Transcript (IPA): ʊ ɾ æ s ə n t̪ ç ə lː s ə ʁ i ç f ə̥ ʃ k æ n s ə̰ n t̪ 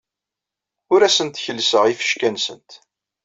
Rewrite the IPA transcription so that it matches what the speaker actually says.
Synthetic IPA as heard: ʊ ɾ æ s ə n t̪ ç ə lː s ə ʁ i f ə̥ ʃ k æ n s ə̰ n t̪